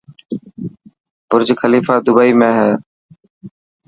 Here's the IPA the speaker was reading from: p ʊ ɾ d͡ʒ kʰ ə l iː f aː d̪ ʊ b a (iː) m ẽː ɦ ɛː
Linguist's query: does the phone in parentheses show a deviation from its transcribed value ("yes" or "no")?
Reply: no